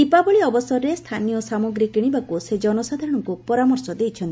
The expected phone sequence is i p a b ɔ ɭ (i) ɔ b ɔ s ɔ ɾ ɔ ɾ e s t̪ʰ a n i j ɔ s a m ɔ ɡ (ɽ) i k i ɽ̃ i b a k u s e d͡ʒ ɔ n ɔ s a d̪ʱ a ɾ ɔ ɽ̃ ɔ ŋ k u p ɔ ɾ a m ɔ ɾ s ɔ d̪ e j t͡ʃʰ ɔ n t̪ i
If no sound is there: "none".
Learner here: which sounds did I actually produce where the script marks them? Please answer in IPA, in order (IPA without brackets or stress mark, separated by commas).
i, ɾ